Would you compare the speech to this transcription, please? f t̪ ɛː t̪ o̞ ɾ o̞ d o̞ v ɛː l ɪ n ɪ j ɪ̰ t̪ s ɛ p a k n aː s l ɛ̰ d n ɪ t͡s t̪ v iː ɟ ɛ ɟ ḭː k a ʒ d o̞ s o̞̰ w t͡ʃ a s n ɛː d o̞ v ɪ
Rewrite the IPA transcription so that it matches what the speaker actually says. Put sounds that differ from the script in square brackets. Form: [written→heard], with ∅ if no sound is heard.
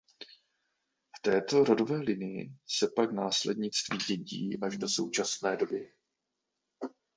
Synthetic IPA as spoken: f t̪ ɛː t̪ o̞ ɾ o̞ d o̞ v ɛː l ɪ n ɪ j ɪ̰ [t̪→∅] s ɛ p a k n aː s l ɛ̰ d [n→ɲ] ɪ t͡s t̪ v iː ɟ ɛ ɟ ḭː [k→ʔ] a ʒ d o̞ s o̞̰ w t͡ʃ a s n ɛː d o̞ [v→b] ɪ